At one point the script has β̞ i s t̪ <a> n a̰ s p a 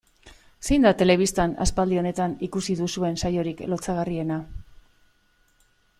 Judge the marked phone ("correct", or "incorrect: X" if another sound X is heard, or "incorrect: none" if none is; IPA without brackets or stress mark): correct